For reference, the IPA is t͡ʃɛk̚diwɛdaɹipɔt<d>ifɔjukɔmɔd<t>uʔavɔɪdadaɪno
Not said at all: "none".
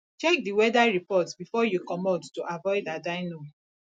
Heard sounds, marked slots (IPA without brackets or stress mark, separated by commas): b, t